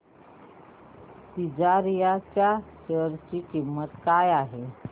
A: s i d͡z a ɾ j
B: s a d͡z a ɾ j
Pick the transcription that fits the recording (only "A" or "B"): A